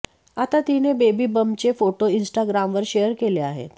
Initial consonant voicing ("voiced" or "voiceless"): voiceless